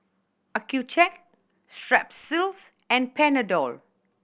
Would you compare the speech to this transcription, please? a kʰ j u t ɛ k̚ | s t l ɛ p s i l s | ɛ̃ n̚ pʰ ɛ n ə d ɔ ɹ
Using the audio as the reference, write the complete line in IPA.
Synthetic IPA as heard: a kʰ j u t͡ʃ ɛ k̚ | s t ɹ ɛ p s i l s | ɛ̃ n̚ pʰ ɛ n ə d ɔ l